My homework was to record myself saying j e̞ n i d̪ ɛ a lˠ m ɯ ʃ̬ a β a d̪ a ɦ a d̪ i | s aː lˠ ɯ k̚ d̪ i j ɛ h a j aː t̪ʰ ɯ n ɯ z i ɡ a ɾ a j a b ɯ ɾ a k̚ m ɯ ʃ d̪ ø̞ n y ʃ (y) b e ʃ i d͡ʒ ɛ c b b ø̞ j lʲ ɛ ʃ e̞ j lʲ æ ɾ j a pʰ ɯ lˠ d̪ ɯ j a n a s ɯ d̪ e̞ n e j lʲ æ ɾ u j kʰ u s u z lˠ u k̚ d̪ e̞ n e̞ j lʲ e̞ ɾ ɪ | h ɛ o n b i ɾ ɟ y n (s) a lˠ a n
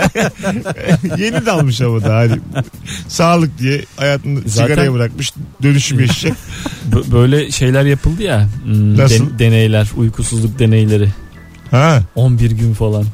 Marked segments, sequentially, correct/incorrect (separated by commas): correct, incorrect